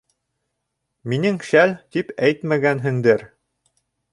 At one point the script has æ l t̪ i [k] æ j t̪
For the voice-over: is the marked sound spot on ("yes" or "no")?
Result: no